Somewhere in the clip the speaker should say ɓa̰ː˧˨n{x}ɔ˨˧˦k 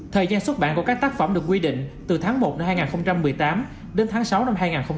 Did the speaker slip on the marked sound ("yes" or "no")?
yes